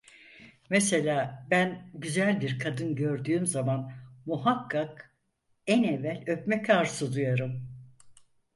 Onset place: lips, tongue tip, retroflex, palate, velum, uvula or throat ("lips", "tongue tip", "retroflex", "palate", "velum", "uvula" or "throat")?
lips